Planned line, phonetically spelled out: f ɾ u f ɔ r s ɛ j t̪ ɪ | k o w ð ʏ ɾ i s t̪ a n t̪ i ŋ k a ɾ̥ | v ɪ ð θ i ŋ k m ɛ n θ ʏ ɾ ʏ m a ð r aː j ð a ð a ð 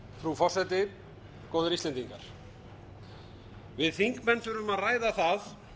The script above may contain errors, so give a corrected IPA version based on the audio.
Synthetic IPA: f ɾ u f ɔ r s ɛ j t̪ ɪ | k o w ð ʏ ɾ i s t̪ ɛ n t̪ i ŋ k a ɾ̥ | v ɪ ð θ i ŋ k m ɛ n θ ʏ ɾ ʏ m a ð r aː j ð a θ a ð

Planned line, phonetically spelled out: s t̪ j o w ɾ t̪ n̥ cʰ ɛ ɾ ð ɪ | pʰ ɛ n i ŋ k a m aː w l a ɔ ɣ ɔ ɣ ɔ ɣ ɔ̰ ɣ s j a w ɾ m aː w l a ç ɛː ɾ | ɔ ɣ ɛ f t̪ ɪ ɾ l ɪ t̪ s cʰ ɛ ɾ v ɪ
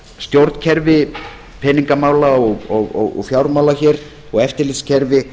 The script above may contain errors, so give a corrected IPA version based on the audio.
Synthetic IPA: s t̪ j o w ɾ t̪ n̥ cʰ ɛ ɾ v ɪ | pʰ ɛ n i ŋ k a m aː w l a ɔ ɣ ɔ ɣ ɔ ɣ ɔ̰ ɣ f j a w ɾ m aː w l a ç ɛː ɾ | ɔ ɣ ɛ f t̪ ɪ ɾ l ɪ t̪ s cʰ ɛ ɾ v ɪ

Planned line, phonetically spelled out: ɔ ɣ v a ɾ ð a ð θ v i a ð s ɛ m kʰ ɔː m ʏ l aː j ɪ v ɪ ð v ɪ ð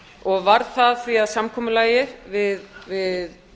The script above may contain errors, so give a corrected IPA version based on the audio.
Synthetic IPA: ɔ ɣ v a ɾ θ a ð θ v i a ð s a m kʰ ɔː m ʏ l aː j ɪ v ɪ ð v ɪ ð

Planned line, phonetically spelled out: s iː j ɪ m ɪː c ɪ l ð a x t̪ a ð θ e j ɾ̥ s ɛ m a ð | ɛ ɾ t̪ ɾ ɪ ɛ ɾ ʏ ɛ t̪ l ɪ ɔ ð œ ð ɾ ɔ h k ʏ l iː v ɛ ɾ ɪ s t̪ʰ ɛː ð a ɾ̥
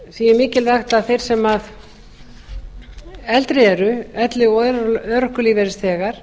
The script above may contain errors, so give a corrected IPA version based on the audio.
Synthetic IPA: s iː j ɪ m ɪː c ɪ l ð a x t̪ a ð θ e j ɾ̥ s ɛ m a ð | ɛ l t̪ ɾ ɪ ɛ ɾ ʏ ɛ t̪ l ɪ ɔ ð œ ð ɾ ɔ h k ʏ l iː v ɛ ɾ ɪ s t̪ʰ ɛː ɣ a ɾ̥

